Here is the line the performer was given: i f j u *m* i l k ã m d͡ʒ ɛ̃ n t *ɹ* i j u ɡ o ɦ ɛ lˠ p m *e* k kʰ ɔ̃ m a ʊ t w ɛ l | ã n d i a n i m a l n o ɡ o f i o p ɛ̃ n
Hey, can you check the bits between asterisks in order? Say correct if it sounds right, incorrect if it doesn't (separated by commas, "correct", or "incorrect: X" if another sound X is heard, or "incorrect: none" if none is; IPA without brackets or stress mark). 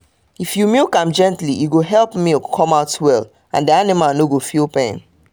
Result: correct, incorrect: l, incorrect: i